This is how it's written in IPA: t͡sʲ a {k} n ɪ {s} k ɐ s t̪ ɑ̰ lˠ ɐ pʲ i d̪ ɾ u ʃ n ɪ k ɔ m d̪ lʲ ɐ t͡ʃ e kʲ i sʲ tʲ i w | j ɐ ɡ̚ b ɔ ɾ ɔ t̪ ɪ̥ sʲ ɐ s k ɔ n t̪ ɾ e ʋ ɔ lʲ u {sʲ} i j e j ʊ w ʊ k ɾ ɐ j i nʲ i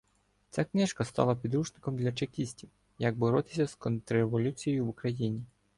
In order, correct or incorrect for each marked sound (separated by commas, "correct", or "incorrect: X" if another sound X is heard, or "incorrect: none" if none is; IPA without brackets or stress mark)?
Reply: correct, incorrect: ʃ, incorrect: t͡sʲ